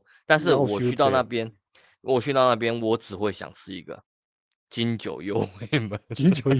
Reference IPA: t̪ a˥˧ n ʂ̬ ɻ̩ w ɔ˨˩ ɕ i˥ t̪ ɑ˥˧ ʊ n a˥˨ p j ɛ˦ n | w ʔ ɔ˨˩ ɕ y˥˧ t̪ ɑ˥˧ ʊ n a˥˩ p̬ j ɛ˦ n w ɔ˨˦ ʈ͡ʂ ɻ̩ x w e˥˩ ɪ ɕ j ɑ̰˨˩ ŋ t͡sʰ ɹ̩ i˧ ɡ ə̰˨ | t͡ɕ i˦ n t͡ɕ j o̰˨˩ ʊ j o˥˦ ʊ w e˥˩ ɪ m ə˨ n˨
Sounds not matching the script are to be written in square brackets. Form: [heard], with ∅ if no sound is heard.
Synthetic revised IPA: t̪ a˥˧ n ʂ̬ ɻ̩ w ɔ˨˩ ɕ [y˥] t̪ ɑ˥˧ ʊ n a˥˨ p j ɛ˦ n | w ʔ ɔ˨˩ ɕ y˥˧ t̪ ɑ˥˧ ʊ n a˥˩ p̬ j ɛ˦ n w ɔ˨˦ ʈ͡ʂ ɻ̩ x w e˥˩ ɪ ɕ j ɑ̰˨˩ ŋ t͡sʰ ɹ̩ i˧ ɡ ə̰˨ | t͡ɕ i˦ n t͡ɕ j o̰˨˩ ʊ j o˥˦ ʊ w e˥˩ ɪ m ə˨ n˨